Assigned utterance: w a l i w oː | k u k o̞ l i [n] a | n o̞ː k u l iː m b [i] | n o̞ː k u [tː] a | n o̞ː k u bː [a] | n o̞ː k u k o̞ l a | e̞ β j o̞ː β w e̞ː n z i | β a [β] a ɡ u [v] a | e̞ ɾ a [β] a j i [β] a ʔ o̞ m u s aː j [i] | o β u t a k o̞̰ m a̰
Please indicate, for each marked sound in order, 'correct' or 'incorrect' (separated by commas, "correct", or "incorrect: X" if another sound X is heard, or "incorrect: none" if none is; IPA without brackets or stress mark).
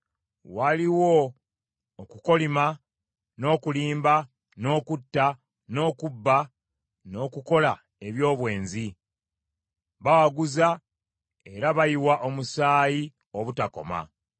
incorrect: m, incorrect: a, correct, correct, incorrect: w, incorrect: z, correct, incorrect: w, correct